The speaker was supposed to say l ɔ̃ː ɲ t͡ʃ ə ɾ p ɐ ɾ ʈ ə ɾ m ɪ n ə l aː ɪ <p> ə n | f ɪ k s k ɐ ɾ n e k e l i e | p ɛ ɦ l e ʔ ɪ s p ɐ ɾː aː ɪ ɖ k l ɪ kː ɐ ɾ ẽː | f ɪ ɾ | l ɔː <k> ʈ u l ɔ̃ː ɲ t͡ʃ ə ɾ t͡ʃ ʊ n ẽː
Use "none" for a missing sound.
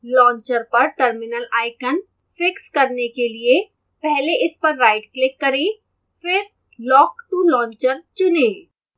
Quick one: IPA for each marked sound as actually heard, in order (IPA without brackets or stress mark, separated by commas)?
k, k